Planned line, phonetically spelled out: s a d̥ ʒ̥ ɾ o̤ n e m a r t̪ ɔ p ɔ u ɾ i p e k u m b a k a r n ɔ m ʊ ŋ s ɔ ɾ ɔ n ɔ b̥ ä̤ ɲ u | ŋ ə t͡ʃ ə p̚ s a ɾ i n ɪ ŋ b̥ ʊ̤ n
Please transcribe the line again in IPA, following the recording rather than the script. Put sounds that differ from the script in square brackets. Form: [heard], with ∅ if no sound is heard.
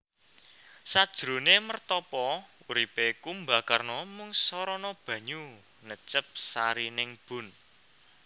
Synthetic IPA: s a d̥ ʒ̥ ɾ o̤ n e m [ə] r t̪ ɔ p ɔ u ɾ i p e k u m b a k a r n ɔ m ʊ ŋ s ɔ ɾ ɔ n ɔ b̥ ä̤ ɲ u | [n] ə t͡ʃ ə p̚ s a ɾ i n ɪ ŋ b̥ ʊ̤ n